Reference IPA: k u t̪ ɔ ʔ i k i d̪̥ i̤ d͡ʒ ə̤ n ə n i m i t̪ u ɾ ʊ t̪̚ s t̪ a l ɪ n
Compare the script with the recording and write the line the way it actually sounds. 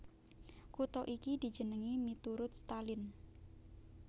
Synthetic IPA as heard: k u t̪ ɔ ʔ i k i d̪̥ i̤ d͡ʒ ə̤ n ə ŋ i m i t̪ u ɾ ʊ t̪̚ s t̪ a l ɪ n